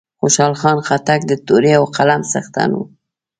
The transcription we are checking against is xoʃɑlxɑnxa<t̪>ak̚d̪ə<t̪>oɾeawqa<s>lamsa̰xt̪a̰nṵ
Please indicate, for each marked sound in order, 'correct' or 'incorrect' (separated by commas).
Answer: correct, correct, incorrect